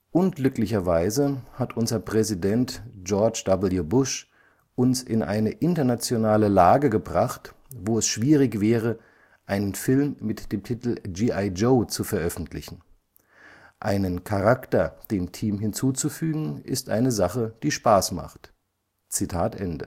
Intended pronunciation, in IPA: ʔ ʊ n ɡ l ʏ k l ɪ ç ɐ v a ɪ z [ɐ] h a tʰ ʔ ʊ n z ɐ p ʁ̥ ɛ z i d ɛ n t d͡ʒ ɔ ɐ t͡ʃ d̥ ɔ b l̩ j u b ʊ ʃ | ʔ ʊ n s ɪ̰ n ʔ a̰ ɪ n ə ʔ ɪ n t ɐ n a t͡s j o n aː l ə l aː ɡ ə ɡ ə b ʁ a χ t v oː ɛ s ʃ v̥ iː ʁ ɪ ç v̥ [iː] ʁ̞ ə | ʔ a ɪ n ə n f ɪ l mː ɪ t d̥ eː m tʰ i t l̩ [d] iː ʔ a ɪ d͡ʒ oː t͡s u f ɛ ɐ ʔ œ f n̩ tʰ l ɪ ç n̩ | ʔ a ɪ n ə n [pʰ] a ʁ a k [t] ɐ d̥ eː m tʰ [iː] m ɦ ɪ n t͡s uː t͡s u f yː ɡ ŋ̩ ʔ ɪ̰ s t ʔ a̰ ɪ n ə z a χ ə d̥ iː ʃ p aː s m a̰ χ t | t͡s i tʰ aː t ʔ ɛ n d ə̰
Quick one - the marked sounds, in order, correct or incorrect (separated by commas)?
incorrect, incorrect, incorrect, incorrect, correct, correct